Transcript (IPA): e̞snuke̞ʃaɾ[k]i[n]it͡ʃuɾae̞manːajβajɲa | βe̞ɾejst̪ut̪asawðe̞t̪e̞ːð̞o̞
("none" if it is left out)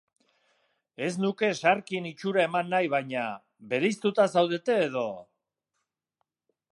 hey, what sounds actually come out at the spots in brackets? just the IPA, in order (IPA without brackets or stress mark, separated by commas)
k, n